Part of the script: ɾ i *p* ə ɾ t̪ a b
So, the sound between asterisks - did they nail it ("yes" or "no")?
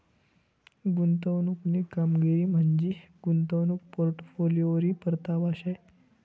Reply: yes